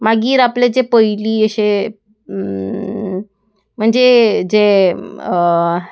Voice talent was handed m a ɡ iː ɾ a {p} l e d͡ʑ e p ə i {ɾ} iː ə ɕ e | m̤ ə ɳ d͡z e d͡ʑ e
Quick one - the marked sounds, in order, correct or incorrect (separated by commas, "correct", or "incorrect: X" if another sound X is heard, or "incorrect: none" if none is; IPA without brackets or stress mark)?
correct, incorrect: l